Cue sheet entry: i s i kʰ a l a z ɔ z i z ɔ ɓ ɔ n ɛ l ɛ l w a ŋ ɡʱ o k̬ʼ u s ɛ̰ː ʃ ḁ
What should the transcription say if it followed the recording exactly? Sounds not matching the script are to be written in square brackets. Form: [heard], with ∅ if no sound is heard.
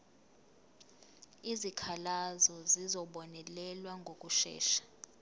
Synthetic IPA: i [z] i kʰ a l a z ɔ z i z ɔ ɓ ɔ n ɛ l ɛ l w a ŋ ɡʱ o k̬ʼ u [ʃ] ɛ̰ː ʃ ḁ

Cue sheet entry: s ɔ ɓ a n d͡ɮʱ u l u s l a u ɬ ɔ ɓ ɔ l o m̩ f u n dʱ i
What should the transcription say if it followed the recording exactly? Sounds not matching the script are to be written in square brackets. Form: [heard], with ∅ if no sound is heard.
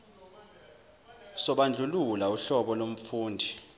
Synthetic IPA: s ɔ ɓ a n d͡ɮʱ u l u [∅] l a u ɬ ɔ ɓ ɔ l o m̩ f [uː] n dʱ i

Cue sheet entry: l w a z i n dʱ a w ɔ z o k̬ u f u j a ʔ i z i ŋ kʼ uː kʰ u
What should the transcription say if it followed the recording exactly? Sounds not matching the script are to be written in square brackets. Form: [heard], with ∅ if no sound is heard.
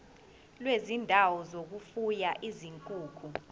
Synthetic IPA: l w [e] z i n dʱ a w ɔ z o k̬ u f u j a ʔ i z i ŋ kʼ uː kʰ u

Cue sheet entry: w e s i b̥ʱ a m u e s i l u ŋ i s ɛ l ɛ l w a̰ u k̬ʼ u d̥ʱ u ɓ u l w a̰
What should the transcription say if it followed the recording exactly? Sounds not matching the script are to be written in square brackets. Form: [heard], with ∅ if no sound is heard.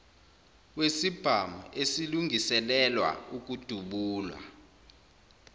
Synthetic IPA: w e s i b̥ʱ a m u e s i l u ŋ i s ɛ l ɛ l w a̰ u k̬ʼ u d̥ʱ u ɓ [uː] l w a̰

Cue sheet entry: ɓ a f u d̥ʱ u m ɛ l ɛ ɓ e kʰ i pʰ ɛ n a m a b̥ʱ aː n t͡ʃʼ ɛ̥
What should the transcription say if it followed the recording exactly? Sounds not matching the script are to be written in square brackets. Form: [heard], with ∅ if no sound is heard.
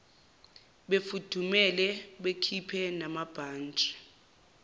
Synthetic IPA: ɓ [e] f u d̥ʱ u m ɛ l ɛ ɓ e kʰ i pʰ ɛ n a m a b̥ʱ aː n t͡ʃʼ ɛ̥

